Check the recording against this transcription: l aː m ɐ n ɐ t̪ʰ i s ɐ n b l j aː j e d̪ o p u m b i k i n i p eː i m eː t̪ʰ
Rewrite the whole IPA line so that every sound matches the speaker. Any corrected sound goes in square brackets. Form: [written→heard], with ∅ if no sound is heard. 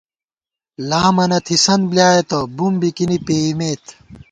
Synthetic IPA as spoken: l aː m ɐ n ɐ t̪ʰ i s ɐ n b l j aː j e [d̪→t̪] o [p→b] u m b i k i n i p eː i m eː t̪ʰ